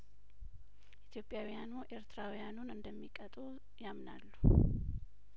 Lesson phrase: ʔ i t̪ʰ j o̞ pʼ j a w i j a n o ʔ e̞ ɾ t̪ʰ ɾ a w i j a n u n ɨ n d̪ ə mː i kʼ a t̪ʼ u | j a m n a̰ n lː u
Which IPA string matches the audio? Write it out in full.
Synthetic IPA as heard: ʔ i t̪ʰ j o̞ pʼ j a w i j a n u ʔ e̞ ɾ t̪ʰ ɾ a w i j a n u n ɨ n d̪ ə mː i kʼ ə t̪ʼ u | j a m n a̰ lː u